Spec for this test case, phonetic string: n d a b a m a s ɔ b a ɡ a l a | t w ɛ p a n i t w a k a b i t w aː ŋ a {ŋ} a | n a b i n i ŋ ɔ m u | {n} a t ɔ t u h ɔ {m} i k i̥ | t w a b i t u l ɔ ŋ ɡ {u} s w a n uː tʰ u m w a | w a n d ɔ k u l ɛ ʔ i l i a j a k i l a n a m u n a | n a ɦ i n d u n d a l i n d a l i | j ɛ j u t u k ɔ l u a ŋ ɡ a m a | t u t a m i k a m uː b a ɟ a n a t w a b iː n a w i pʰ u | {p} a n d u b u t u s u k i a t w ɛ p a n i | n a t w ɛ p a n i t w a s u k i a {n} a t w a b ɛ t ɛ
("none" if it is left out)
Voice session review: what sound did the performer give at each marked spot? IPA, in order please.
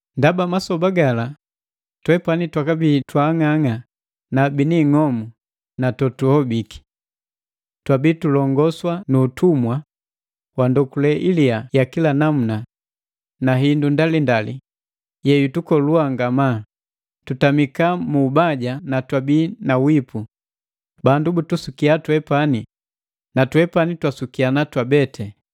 ŋ, n, b, ɔ, b, n

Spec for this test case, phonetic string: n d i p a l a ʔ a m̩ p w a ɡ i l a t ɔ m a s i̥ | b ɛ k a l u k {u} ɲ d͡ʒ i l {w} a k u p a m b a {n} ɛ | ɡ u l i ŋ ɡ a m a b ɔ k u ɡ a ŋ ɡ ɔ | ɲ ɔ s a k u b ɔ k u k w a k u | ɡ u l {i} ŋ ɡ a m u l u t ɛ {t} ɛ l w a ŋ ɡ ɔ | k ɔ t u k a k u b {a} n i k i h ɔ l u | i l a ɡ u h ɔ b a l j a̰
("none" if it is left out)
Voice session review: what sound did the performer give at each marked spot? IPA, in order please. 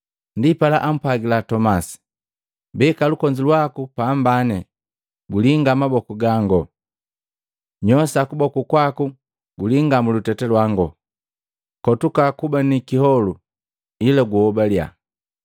ɔ, w, n, i, t, a

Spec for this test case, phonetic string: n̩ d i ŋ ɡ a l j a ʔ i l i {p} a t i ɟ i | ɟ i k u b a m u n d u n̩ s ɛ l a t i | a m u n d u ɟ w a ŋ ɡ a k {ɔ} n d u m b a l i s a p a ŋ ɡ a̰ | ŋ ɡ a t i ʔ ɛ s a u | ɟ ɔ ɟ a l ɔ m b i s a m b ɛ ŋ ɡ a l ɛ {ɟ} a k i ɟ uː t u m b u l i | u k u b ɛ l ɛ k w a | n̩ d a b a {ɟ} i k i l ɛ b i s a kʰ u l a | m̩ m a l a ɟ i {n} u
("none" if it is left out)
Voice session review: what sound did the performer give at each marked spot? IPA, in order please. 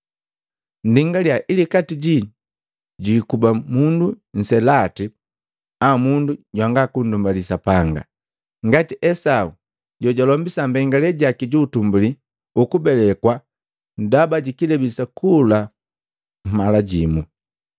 k, u, ɟ, ɟ, m

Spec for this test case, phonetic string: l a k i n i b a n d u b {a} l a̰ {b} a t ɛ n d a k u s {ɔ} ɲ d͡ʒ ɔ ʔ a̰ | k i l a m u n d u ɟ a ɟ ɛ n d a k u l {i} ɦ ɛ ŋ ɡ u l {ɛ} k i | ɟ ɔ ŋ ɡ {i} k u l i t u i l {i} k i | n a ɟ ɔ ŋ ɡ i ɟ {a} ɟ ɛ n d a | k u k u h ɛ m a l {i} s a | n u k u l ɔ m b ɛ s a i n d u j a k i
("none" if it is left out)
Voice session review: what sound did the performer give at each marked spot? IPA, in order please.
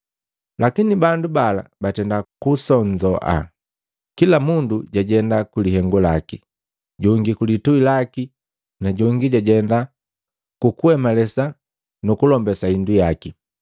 a, b, ɔ, i, a, i, a, a, ɛ

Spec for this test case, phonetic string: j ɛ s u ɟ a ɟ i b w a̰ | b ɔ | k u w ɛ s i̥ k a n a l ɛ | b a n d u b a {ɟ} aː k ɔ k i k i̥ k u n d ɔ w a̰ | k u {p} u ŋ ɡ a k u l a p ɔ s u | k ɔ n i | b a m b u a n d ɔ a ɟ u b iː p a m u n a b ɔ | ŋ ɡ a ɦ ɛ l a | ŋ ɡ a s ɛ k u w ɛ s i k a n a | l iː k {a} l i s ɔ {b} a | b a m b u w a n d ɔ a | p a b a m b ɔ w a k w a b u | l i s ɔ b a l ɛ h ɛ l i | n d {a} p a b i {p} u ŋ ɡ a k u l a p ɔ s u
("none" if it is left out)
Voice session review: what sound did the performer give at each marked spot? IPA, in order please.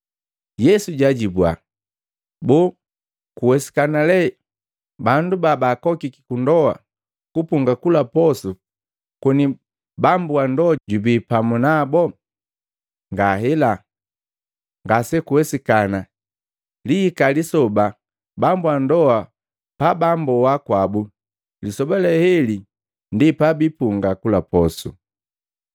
b, p, a, b, i, p

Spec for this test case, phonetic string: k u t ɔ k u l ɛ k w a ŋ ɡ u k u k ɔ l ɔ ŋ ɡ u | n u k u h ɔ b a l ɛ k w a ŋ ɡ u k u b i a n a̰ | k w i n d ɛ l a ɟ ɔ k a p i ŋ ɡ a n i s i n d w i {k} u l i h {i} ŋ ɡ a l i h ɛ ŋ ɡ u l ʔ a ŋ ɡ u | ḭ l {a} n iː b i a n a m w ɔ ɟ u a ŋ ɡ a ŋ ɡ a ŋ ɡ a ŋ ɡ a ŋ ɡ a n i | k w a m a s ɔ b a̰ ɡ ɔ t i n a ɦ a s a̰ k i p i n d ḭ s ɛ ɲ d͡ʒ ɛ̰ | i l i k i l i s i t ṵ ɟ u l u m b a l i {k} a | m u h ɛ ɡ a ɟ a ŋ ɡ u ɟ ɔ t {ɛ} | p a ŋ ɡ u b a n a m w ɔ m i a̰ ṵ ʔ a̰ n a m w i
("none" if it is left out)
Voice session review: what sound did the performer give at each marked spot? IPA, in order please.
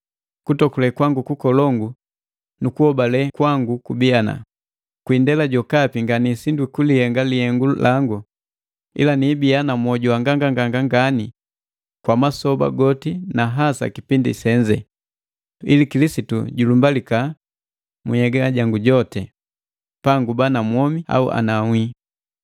k, ɛ, a, k, ɛ

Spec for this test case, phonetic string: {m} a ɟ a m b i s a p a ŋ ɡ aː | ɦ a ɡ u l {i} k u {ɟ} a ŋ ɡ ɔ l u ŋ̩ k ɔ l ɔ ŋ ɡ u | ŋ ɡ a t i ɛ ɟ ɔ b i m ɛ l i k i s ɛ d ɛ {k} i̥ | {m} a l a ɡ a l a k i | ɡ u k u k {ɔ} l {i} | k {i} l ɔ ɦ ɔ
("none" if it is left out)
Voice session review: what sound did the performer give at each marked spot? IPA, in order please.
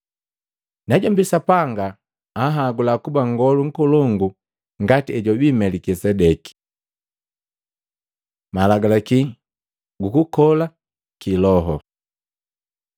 n, a, b, k, m, ɔ, a, i

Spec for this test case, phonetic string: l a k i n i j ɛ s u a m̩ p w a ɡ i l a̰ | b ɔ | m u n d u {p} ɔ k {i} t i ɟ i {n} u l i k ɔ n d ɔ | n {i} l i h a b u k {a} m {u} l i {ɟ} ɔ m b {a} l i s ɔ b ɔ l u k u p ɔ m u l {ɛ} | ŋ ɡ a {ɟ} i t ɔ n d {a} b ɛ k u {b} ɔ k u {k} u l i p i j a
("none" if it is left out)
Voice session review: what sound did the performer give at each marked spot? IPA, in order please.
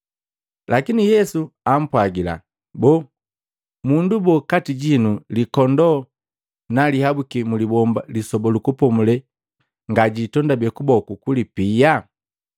b, a, n, a, i, u, b, a, ɛ, ɟ, a, b, k

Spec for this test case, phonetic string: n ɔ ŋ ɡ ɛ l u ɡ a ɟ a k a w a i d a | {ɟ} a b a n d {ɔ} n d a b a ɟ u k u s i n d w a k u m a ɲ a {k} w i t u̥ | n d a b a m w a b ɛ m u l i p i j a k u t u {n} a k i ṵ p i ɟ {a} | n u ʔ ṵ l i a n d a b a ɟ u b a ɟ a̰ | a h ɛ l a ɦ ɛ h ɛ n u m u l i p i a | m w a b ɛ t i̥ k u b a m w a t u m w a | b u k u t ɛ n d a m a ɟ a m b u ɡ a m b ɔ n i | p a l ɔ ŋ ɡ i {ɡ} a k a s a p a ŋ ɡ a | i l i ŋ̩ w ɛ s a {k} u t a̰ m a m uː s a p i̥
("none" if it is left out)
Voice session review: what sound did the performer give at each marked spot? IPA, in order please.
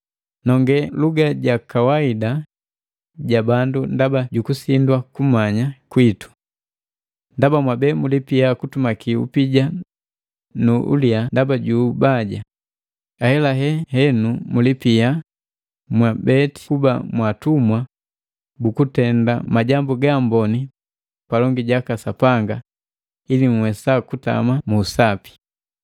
ɟ, u, k, m, a, ɟ, k

